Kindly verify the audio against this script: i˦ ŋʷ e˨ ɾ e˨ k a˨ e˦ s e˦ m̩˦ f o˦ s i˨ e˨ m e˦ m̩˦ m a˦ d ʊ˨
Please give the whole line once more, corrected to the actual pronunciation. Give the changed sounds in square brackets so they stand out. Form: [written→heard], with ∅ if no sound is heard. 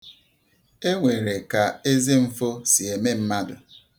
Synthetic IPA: [i˦→e˦] ŋʷ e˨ ɾ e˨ k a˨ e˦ [s→z] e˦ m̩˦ f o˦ s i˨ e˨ m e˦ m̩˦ m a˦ d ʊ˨